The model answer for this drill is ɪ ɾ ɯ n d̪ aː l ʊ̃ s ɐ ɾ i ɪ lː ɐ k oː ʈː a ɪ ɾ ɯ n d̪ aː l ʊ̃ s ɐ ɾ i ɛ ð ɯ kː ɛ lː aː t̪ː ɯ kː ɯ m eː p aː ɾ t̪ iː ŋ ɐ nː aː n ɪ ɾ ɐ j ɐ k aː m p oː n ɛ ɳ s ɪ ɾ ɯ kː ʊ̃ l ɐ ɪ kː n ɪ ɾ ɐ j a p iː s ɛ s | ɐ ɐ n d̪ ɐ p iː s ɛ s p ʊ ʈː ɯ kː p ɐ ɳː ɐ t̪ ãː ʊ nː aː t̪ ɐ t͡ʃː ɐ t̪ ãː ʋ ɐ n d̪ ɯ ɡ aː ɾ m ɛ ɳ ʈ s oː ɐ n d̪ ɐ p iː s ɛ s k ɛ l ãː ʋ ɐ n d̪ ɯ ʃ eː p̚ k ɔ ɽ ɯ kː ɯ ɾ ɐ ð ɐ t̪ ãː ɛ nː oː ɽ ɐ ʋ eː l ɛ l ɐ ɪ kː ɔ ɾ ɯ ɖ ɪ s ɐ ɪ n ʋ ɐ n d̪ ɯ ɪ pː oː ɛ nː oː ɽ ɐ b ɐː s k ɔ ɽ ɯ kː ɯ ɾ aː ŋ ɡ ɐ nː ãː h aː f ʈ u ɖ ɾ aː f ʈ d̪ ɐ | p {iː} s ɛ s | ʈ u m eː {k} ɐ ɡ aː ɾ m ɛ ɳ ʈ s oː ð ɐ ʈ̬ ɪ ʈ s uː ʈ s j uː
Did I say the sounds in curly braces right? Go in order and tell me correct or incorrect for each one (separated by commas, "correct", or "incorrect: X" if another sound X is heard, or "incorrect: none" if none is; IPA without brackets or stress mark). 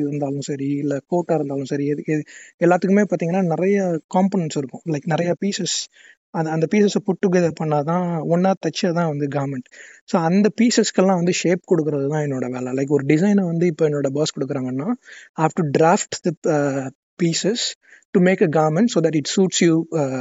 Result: correct, correct